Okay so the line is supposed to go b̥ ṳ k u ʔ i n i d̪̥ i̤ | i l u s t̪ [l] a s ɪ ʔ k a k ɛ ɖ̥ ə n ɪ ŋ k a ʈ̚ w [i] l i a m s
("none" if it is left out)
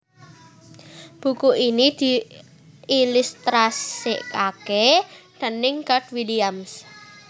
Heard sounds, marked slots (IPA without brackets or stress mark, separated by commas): ɾ, i